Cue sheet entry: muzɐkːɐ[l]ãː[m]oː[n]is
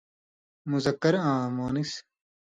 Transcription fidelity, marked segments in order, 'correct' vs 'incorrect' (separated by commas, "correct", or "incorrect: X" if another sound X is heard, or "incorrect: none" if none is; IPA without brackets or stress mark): incorrect: ɾ, correct, correct